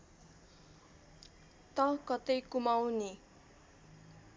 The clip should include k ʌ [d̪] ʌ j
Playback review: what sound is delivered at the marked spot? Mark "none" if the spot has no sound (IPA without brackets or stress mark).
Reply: t̪